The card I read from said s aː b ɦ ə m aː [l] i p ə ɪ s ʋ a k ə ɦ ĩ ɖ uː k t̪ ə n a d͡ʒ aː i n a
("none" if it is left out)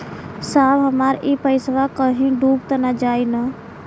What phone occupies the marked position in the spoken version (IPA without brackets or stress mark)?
ɾ